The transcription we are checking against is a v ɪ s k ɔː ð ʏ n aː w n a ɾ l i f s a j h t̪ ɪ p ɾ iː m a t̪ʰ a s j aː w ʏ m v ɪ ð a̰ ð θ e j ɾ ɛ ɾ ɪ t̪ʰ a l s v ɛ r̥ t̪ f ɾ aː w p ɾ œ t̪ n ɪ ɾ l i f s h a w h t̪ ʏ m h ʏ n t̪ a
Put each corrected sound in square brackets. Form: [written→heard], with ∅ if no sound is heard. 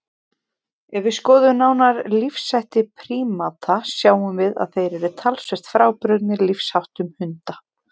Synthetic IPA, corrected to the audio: [a→ɛ] v ɪ s k ɔː ð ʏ n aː w n a ɾ l i f s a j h t̪ ɪ [p→pʰ] ɾ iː m a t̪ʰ a s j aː w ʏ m v ɪ ð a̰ ð θ e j ɾ ɛ ɾ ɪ t̪ʰ a l s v ɛ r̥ t̪ f ɾ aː w p ɾ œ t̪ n ɪ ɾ l i f s h a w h t̪ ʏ m h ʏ n t̪ a